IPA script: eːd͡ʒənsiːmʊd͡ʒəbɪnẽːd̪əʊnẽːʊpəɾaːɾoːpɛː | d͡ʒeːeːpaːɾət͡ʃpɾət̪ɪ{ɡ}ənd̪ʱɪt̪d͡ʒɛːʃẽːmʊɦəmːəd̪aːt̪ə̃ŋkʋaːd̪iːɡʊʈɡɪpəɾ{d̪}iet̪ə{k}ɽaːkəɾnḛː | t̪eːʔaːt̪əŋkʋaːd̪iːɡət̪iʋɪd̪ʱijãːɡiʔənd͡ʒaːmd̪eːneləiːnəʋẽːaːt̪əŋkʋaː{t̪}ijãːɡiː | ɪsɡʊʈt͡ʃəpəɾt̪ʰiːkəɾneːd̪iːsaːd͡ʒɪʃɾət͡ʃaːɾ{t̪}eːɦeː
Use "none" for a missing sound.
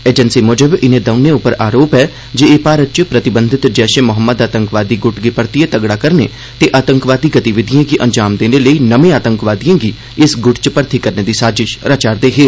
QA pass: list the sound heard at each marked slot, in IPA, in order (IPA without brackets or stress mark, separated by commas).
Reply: b, t̪, ɡ, d̪, d̪